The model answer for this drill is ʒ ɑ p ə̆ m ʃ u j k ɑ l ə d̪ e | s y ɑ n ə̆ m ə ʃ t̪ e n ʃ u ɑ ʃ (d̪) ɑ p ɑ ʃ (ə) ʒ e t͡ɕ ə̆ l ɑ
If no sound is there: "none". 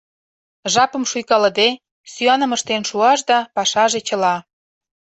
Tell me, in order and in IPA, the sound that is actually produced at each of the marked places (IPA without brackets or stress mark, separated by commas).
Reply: d̪, ɑ